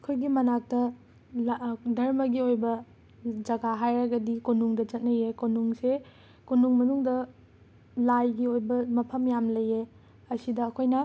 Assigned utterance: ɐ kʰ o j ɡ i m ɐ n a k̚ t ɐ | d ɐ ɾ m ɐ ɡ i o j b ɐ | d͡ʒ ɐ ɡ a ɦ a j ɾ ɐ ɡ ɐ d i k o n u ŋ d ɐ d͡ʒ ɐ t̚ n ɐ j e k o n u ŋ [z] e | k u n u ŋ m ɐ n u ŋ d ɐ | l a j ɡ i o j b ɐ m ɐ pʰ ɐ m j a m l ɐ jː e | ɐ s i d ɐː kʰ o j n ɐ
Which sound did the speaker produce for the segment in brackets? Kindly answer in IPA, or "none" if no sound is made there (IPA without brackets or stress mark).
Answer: s